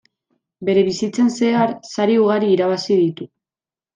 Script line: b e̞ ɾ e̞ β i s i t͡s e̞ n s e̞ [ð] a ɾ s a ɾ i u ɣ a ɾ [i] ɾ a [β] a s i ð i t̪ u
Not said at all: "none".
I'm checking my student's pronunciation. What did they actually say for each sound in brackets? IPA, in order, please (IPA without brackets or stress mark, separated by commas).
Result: none, iː, β